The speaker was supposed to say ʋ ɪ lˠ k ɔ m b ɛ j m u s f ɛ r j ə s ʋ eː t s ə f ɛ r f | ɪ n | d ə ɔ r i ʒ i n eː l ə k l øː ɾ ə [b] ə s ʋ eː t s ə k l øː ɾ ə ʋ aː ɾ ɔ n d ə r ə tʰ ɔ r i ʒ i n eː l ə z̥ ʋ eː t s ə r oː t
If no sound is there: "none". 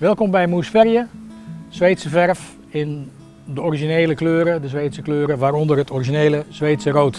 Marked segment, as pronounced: d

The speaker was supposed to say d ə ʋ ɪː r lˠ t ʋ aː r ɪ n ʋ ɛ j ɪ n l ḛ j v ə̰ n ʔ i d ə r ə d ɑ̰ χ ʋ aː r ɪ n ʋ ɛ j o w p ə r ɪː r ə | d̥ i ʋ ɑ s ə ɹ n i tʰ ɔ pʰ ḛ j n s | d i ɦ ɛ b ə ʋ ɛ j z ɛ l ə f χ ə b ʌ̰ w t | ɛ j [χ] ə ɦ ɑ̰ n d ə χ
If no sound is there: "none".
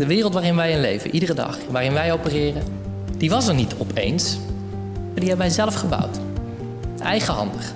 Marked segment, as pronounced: χ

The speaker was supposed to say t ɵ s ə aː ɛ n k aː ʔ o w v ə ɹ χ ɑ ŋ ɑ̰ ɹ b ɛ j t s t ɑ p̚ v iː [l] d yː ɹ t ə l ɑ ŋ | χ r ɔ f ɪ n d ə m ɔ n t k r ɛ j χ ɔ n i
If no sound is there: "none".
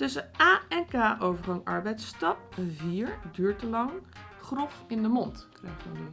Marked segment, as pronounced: ɹ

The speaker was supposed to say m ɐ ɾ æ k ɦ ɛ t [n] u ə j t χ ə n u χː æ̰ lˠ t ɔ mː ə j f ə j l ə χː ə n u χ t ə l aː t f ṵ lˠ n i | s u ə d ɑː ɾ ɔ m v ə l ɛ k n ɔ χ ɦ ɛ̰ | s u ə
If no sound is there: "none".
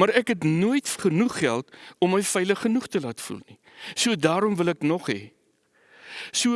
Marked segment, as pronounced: n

